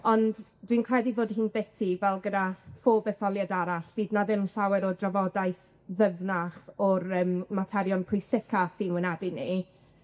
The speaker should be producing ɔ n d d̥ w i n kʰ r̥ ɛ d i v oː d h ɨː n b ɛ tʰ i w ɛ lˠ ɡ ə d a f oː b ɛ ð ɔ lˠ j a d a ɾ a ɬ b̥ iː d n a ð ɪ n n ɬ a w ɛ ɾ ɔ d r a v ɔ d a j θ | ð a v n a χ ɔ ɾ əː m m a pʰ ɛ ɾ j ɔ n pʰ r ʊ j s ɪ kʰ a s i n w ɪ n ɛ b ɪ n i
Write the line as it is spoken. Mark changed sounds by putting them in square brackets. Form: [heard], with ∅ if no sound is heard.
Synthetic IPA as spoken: ɔ n d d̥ w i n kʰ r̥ ɛ d i v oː d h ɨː n b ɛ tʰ i [v] ɛ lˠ ɡ ə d a f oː b ɛ [θ] ɔ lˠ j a d a ɾ a ɬ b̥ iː d n a ð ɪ n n ɬ a w ɛ ɾ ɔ d r a v ɔ d a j θ | ð [ə] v n a χ ɔ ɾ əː m m a [tʰ] ɛ ɾ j ɔ n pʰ r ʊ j s ɪ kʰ a s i n w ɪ n ɛ b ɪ n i